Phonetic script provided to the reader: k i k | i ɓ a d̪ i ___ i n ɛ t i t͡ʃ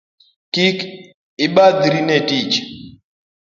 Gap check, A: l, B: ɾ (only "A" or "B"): B